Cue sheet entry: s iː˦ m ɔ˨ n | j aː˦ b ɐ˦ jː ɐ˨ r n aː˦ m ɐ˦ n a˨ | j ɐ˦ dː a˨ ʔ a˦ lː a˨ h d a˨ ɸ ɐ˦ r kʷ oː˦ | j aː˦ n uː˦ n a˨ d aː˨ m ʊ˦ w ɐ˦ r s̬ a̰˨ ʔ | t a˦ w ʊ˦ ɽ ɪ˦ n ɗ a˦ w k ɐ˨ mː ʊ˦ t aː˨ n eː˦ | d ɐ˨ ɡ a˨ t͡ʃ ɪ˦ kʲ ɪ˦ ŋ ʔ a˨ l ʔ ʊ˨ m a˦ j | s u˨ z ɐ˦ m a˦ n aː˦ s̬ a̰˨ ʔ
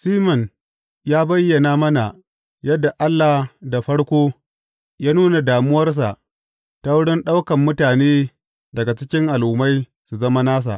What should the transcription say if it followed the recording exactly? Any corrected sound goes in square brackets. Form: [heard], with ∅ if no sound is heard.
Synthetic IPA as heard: s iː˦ m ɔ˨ n | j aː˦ b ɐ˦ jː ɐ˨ [∅] n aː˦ m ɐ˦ n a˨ | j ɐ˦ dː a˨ ʔ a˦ lː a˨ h d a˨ ɸ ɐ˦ [ɽ] kʷ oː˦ | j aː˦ n uː˦ n a˨ d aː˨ m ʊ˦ w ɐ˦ r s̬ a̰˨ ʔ | t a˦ w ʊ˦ ɽ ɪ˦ n ɗ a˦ w k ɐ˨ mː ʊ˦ t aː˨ n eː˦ | d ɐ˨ ɡ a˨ t͡ʃ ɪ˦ kʲ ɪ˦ ŋ ʔ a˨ l ʔ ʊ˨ m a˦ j | s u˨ z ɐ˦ m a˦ n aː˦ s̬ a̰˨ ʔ